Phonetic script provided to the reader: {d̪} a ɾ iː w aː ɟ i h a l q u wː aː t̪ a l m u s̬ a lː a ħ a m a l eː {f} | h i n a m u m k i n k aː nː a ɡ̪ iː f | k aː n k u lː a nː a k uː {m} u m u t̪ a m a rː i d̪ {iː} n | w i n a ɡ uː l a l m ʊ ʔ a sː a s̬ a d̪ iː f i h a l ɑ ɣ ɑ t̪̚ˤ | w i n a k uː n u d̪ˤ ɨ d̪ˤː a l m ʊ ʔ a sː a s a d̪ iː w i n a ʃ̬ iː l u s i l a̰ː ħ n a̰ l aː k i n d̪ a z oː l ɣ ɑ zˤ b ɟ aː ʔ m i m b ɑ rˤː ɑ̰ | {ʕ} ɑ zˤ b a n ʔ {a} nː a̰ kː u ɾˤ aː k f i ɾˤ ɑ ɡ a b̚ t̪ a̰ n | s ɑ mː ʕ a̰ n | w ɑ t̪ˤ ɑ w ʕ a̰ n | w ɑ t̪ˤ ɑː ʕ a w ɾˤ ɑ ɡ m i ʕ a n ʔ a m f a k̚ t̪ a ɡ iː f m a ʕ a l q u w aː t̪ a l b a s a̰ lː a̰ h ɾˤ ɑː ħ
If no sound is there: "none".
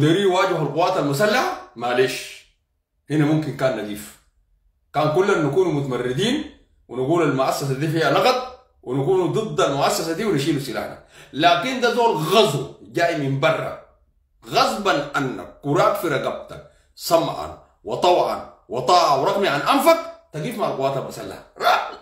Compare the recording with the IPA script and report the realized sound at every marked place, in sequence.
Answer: d̪, ʃ, n, iː, ɣ, a

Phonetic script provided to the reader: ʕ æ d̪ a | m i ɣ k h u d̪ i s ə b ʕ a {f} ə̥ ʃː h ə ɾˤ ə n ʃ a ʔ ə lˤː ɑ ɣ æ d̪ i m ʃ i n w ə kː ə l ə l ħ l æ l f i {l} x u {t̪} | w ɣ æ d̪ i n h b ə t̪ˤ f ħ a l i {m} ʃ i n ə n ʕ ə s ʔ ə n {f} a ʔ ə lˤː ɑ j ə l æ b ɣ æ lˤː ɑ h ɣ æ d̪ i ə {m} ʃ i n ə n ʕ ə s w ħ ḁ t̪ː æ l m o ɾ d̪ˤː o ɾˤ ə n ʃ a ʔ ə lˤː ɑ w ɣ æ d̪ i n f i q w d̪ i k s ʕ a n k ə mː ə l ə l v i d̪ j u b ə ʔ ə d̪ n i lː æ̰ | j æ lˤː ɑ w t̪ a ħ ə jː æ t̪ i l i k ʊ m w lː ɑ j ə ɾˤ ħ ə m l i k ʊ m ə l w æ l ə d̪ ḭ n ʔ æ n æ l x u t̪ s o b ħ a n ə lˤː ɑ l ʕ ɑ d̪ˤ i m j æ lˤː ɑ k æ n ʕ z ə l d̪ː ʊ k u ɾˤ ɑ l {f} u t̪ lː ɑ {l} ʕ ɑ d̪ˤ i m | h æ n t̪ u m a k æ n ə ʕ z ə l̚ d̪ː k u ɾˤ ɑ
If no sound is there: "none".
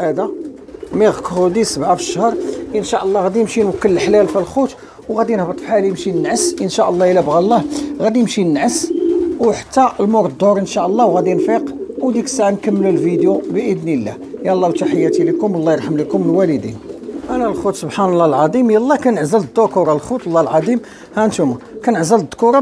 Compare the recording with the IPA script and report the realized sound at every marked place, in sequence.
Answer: f, l, t̪, m, ʃ, m, x, l

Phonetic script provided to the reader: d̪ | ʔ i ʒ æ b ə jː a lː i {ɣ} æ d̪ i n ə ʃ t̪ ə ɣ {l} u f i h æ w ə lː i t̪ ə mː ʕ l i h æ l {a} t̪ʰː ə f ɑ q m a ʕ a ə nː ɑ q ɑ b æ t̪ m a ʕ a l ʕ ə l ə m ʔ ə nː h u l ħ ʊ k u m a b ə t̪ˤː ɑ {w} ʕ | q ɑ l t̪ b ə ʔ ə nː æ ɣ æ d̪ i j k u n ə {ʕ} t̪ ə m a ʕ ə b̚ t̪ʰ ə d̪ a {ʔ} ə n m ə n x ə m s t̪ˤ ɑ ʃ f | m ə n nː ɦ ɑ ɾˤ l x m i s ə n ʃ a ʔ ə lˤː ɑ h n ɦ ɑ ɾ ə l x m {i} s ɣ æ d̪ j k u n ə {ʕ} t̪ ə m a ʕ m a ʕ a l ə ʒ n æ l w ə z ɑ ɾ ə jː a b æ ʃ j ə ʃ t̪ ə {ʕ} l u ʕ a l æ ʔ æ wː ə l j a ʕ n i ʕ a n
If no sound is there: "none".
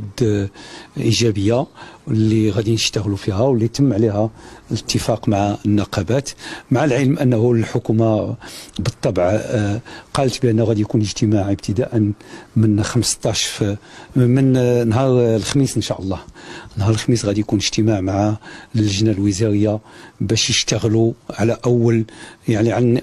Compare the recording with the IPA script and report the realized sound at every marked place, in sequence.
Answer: ɣ, l, ə, b, ʒ, ʔ, i, ʒ, ɣ

